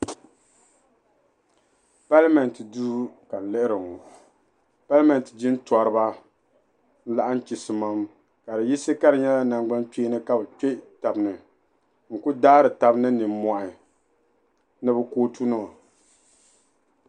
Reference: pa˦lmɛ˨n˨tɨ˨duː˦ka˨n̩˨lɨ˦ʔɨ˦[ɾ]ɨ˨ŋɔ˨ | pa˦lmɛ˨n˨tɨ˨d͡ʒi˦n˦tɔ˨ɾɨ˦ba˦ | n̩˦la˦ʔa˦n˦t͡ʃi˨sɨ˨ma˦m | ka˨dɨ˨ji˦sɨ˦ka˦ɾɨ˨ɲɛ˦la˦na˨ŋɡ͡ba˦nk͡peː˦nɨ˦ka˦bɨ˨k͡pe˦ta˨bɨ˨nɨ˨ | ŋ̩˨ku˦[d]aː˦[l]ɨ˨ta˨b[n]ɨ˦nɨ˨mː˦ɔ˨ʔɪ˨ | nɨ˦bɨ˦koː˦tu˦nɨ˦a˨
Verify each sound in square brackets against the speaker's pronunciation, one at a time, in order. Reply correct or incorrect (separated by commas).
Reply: correct, correct, incorrect, correct